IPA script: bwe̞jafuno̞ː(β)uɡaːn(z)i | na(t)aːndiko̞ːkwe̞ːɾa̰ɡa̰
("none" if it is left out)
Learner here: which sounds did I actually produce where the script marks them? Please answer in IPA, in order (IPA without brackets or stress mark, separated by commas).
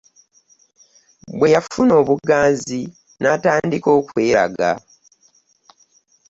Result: β, z, t